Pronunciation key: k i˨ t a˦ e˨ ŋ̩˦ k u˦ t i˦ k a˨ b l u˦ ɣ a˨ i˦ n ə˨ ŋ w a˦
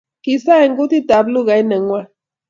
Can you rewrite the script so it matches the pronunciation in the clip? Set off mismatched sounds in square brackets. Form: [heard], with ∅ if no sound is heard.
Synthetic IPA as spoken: k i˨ [s] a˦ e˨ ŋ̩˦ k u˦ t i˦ [t] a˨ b l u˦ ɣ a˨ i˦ n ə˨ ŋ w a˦